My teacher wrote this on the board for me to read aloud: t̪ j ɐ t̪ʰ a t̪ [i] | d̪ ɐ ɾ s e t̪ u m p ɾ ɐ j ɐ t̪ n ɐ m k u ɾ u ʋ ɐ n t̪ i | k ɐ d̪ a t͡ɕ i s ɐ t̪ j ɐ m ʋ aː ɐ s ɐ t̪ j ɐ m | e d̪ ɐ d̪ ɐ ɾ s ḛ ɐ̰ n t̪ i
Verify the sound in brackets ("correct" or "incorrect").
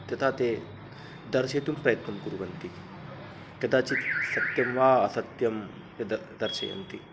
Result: incorrect